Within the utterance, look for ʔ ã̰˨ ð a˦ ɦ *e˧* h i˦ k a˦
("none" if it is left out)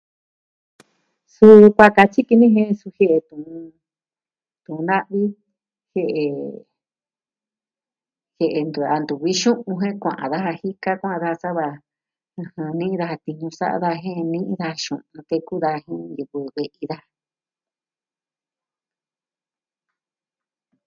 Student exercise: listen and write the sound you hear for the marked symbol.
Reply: a˧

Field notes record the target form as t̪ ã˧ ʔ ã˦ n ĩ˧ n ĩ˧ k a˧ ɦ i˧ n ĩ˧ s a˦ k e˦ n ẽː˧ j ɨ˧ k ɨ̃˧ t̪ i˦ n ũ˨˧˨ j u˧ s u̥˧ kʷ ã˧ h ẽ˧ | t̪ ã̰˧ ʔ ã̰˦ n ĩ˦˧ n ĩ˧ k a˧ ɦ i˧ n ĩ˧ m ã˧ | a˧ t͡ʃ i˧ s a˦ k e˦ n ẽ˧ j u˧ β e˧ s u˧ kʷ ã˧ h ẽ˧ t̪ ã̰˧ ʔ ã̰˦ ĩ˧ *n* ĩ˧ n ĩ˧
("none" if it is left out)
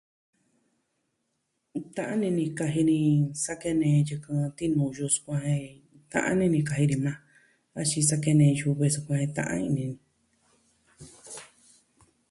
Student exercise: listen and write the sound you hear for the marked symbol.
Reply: n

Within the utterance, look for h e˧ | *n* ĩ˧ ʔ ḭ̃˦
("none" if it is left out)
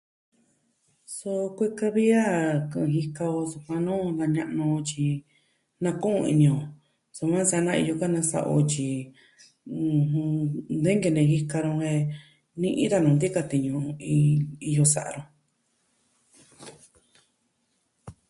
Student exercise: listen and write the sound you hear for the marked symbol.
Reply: n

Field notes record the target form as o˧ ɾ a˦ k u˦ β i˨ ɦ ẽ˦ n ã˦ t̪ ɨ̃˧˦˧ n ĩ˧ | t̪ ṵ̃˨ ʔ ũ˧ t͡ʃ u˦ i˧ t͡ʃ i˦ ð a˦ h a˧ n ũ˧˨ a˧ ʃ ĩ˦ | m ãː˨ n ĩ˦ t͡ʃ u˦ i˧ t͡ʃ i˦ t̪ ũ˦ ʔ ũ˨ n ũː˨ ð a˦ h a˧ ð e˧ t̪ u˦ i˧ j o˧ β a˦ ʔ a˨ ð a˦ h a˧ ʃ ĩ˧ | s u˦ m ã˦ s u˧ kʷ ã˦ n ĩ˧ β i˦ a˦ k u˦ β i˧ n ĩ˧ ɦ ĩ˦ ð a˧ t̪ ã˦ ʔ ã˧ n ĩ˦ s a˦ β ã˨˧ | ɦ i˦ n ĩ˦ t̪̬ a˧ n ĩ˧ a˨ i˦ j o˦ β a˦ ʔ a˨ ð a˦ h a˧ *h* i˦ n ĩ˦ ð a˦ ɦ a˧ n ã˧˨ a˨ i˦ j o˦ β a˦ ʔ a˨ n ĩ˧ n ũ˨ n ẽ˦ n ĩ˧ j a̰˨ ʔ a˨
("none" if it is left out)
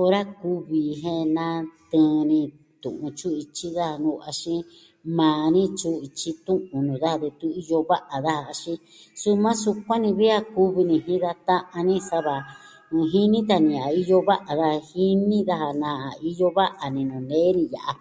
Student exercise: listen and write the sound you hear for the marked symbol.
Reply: h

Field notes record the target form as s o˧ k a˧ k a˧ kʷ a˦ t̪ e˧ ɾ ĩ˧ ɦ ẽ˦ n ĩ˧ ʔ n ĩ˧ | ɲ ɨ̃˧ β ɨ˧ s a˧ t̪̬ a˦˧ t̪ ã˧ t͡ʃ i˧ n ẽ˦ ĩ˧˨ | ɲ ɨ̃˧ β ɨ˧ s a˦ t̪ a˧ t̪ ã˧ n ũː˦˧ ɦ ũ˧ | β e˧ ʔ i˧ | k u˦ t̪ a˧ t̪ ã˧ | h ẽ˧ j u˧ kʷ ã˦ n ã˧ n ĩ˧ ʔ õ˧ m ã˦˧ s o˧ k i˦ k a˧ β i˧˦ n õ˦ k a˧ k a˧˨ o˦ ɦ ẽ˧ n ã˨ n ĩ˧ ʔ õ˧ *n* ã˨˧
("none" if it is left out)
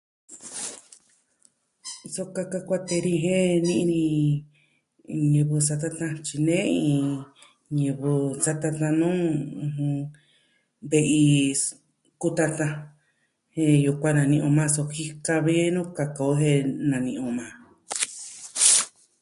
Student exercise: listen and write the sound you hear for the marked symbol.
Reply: m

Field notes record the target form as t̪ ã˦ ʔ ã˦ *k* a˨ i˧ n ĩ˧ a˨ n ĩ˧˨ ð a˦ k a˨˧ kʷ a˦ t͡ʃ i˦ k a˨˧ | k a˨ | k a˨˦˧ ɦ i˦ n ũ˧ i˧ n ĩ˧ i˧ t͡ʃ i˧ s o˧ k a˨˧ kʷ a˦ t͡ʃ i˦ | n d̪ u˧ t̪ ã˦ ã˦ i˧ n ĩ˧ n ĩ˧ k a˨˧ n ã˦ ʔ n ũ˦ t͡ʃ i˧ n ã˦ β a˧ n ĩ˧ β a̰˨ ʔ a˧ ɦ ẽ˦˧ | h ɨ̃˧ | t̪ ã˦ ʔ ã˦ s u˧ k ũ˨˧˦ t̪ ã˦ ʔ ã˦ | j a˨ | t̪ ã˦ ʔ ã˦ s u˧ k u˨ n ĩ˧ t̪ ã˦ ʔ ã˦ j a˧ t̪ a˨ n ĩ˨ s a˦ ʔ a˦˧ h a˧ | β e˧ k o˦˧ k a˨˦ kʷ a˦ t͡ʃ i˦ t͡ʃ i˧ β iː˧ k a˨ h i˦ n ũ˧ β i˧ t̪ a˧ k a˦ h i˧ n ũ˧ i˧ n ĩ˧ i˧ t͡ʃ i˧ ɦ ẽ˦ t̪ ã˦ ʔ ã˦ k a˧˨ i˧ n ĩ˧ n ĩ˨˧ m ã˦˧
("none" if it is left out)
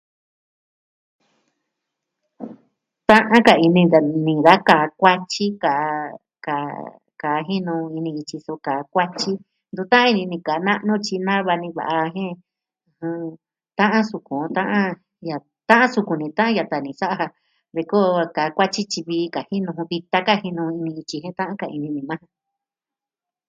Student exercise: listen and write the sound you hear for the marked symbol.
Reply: k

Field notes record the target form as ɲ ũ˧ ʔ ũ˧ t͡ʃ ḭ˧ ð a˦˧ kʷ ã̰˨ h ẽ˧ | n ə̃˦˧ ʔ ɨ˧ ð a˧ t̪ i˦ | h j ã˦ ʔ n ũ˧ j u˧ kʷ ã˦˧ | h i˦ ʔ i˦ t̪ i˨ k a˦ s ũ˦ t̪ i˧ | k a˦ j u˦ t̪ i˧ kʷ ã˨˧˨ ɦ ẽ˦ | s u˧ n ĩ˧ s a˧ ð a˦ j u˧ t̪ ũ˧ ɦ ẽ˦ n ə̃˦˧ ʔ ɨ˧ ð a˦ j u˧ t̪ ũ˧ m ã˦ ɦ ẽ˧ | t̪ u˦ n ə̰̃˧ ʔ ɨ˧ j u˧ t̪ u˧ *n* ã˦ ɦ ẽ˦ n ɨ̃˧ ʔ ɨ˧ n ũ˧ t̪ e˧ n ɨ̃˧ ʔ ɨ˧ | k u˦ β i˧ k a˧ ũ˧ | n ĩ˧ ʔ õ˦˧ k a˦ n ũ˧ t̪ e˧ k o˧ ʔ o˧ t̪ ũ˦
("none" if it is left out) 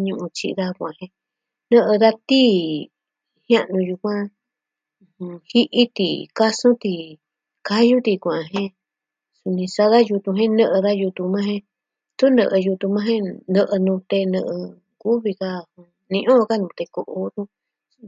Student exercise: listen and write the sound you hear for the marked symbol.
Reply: m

